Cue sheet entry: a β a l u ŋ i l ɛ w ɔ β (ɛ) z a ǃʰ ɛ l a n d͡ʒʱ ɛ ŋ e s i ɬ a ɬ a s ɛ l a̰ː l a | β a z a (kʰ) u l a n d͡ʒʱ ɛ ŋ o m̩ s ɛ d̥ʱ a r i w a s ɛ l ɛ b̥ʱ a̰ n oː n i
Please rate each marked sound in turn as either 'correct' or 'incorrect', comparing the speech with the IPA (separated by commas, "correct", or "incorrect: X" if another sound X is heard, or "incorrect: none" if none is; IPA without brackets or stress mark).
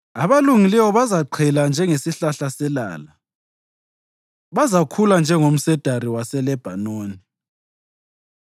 incorrect: a, correct